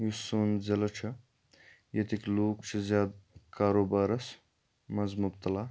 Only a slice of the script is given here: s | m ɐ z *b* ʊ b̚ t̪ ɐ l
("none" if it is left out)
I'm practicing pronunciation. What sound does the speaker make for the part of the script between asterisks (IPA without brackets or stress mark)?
m